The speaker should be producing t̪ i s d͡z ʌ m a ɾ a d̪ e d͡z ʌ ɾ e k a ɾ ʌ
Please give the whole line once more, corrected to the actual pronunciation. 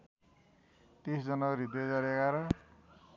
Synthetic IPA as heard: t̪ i s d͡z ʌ n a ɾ i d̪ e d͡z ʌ ɾ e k a ɾ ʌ